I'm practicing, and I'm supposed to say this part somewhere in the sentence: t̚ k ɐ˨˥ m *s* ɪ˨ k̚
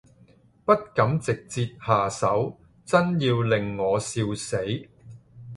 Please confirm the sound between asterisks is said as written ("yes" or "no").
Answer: no